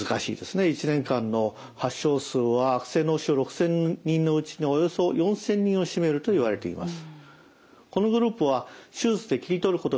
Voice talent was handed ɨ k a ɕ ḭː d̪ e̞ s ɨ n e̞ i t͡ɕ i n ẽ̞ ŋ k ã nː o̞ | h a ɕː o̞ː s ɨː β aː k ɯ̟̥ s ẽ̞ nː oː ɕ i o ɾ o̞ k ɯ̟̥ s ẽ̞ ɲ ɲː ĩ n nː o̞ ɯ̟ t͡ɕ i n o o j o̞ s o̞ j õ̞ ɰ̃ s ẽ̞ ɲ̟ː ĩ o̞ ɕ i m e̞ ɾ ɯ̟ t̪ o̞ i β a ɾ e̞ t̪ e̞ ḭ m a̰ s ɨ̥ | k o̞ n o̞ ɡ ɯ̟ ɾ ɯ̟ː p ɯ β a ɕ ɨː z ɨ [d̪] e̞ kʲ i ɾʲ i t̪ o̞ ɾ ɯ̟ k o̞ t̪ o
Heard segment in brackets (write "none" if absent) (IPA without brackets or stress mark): d̪